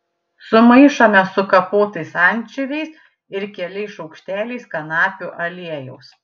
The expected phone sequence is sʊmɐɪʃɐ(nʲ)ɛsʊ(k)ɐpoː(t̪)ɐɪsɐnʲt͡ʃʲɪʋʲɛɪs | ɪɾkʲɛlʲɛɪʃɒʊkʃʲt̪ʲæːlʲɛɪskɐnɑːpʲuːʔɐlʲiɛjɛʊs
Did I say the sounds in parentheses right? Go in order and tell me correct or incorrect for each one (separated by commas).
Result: incorrect, correct, correct